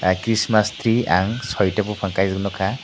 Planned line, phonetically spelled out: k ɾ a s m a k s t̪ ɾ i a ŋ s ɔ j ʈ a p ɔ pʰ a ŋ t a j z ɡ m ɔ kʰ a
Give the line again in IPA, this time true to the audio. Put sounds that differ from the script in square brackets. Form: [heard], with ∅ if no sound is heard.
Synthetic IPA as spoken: k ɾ [i] s m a [∅] s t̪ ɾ i a ŋ s ɔ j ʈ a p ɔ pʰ a ŋ [k] a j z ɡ [n] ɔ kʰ a